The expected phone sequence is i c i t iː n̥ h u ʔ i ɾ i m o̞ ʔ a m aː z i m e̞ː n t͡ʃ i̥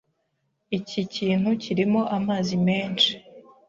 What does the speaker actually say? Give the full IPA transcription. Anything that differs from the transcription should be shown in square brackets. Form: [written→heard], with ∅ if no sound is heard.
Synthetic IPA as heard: i c i [t→c] iː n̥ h u [ʔ→c] i ɾ i m o̞ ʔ a m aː z i m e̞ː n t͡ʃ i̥

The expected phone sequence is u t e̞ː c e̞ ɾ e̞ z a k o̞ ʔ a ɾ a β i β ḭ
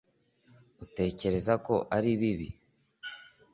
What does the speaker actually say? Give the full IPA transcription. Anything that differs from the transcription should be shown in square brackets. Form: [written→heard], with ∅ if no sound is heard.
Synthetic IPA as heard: u t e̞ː c e̞ ɾ e̞ z a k o̞ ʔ a ɾ [a→i] β i β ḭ

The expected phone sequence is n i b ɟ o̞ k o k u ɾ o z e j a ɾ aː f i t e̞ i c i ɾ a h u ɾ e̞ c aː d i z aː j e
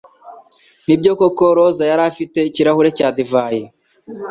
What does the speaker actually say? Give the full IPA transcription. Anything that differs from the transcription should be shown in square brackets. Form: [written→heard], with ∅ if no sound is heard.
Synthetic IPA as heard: n i b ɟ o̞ k o k [u→o] ɾ o z [e→a] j a ɾ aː f i t e̞ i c i ɾ a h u ɾ e̞ c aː d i [z→v] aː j e

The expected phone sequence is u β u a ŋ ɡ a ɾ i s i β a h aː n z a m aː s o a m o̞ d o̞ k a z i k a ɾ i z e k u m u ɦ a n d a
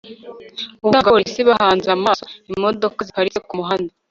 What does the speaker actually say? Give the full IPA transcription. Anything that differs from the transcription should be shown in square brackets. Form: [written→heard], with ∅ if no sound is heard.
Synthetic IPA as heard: u β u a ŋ ɡ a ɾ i s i β a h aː n z a m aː s o [a→i] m o̞ d o̞ k a z i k a ɾ i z e k u m u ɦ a n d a

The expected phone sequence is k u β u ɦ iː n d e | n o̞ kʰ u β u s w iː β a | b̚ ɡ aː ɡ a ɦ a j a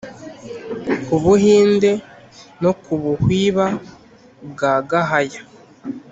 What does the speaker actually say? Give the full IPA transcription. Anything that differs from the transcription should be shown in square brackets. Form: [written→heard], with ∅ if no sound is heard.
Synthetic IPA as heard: k u β u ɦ iː n d e | n o̞ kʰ u β u [s→h] w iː β a | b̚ ɡ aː ɡ a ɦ a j a

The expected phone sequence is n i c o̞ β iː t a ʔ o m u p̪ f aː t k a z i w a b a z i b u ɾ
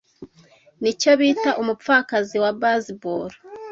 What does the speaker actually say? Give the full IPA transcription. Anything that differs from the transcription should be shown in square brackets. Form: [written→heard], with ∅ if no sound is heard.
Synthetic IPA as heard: n i c o̞ β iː t a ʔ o m u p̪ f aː [t→∅] k a z i w a b a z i b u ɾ

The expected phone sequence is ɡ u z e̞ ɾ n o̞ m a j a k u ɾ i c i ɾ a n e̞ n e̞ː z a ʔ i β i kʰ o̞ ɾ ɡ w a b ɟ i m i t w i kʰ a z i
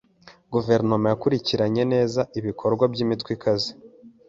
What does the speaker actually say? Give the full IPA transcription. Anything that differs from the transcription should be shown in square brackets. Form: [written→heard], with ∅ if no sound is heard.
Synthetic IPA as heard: ɡ u [z→v] e̞ ɾ n o̞ m a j a k u ɾ i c i ɾ a [n→ɲ] e̞ n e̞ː z a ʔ i β i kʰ o̞ ɾ ɡ w a b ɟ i m i t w i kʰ a z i

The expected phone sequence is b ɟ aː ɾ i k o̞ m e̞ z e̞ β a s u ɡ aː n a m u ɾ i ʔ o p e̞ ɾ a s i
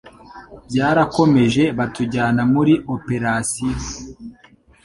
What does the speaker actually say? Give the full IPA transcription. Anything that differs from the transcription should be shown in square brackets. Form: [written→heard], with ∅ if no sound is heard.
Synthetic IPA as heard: b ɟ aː ɾ [i→a] k o̞ m e̞ [z→ʒ] e̞ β a [s→t] u [ɡ→ɟ] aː n a m u ɾ i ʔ o p e̞ ɾ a s i

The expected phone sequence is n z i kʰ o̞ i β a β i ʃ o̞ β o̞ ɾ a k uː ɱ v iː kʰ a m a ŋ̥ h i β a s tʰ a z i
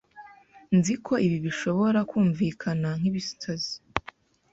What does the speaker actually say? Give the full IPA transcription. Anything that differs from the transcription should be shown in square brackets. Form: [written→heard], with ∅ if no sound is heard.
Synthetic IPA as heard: n z i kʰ o̞ i β [a→i] β i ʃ o̞ β o̞ ɾ a k uː ɱ v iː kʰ a [m→n] a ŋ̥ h i β [a→i] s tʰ a z i

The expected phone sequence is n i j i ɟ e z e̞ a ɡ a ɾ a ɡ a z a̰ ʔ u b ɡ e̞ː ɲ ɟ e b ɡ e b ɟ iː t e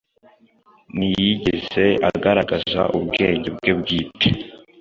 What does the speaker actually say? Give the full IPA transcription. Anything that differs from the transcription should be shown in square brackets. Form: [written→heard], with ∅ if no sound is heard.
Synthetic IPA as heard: n i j i ɟ e z e̞ a ɡ a ɾ a ɡ a z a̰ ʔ u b ɡ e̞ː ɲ ɟ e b ɡ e b [ɟ→ɡ] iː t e

